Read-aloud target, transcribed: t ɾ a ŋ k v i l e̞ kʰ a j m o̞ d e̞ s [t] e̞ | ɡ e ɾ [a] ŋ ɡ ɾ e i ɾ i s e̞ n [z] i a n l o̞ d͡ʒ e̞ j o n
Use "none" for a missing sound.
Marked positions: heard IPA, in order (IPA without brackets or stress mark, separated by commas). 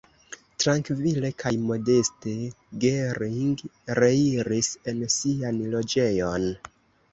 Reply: t, i, s